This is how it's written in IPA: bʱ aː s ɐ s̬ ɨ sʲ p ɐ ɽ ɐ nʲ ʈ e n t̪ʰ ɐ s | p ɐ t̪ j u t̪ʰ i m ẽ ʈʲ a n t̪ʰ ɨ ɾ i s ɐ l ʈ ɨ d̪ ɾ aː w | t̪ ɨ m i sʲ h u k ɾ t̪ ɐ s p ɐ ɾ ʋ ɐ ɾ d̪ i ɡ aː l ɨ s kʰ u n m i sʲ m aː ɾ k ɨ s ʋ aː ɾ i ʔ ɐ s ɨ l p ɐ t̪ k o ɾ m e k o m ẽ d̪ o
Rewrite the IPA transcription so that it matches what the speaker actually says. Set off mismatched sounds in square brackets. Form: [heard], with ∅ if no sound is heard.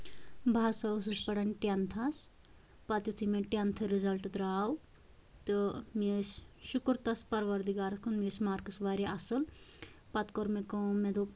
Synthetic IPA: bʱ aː s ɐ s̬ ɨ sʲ p ɐ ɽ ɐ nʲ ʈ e n t̪ʰ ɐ s | p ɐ t̪ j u t̪ʰ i m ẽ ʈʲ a n t̪ʰ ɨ ɾ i [z] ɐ l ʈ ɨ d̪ ɾ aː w | t̪ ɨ m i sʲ [ʃ] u k ɾ t̪ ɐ s p ɐ ɾ ʋ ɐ ɾ d̪ i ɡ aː [ɾ] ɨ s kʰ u n m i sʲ m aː ɾ k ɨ s ʋ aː ɾ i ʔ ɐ s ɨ l p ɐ t̪ k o ɾ m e k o m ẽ d̪ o